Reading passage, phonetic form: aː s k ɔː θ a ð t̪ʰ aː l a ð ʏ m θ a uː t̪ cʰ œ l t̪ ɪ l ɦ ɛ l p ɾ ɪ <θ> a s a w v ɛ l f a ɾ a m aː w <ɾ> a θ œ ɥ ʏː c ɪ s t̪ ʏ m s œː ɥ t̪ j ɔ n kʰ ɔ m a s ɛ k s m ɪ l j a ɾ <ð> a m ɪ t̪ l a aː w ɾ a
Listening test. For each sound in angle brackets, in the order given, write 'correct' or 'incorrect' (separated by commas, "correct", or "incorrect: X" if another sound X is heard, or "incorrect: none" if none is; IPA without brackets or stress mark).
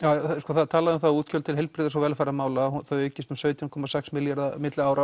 incorrect: ð, incorrect: l, correct